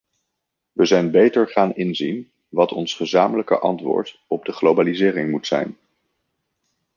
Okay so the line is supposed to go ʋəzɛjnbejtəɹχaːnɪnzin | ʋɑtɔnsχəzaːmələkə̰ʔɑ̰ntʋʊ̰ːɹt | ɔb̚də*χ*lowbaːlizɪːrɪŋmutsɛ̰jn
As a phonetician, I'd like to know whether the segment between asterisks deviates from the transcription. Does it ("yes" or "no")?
no